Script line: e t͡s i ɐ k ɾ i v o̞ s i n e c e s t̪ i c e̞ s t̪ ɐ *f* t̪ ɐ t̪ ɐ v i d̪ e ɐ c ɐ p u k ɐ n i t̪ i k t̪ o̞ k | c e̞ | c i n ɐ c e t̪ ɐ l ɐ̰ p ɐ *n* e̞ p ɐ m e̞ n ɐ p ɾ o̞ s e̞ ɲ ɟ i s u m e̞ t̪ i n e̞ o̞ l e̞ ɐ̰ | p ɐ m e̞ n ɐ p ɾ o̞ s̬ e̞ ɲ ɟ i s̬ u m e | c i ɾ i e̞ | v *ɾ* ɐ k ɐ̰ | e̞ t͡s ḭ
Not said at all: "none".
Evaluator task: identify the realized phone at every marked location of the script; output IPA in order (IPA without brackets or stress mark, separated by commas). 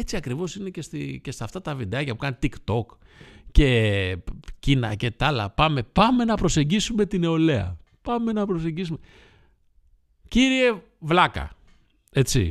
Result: f, m, l